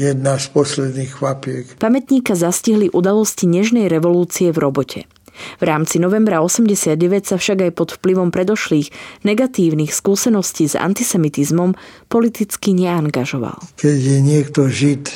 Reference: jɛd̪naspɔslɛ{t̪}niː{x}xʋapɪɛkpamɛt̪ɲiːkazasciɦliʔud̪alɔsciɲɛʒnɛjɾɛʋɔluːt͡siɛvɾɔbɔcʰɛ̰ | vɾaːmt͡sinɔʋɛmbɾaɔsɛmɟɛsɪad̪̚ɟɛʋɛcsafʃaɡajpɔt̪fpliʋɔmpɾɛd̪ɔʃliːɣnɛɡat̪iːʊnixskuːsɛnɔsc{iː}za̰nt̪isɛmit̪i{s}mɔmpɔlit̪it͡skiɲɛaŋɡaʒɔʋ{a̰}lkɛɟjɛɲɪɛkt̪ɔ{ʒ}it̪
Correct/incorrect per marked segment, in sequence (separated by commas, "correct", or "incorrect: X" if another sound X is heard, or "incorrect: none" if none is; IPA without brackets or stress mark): incorrect: d̪, correct, correct, incorrect: z, correct, correct